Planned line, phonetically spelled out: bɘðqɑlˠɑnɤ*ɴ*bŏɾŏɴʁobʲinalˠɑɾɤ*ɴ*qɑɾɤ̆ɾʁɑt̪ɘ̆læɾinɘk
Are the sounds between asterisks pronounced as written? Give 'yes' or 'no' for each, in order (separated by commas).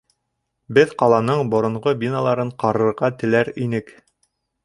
yes, yes